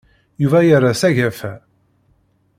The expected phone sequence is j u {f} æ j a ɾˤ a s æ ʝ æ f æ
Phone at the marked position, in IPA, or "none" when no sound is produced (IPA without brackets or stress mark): v